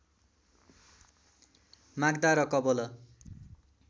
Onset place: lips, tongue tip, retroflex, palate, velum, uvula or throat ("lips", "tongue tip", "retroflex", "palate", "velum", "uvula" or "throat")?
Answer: lips